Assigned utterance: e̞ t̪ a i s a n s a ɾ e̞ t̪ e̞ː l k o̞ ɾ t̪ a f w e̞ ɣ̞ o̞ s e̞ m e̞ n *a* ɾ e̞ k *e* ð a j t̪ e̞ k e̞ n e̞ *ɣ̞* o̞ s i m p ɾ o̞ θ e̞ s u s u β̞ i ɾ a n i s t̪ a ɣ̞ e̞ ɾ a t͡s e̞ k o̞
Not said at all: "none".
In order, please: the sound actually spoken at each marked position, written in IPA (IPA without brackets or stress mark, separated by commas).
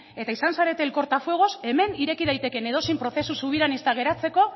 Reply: i, i, ð̞